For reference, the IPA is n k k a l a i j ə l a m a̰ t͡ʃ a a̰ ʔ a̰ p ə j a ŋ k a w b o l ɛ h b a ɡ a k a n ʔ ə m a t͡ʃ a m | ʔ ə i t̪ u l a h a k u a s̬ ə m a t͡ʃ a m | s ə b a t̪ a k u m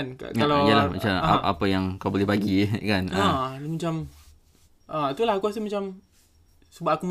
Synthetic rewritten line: n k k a l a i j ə l a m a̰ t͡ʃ a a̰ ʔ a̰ p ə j a ŋ k a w b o l ɛ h b a ɡ i k a n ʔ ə m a t͡ʃ a m | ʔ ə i t̪ u l a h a k u a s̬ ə m a t͡ʃ a m | s ə b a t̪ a k u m